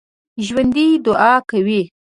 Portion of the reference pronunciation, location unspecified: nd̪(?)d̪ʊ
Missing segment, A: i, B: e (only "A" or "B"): A